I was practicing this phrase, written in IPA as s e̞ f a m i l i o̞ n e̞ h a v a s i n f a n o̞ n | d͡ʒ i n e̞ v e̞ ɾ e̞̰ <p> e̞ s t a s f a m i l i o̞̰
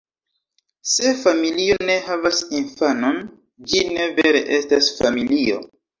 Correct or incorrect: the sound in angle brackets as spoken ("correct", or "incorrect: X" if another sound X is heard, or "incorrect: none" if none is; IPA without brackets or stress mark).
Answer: incorrect: ʔ